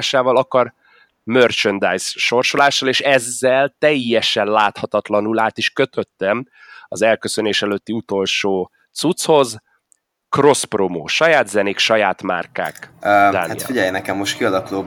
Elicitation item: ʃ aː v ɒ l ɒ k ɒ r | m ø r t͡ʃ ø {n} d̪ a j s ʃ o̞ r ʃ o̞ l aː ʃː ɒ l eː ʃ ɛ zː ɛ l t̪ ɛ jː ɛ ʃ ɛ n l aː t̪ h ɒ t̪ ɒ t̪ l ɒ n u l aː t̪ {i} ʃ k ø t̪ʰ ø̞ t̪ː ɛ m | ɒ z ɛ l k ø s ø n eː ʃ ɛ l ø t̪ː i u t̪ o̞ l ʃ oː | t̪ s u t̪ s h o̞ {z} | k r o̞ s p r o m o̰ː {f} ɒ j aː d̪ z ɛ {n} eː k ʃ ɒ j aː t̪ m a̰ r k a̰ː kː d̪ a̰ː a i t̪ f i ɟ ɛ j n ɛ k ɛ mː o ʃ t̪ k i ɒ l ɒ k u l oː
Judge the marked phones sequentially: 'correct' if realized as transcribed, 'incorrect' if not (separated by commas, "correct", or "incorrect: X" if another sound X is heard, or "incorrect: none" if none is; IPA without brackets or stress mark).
correct, correct, correct, incorrect: ʃ, correct